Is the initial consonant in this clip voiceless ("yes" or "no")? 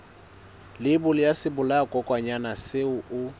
no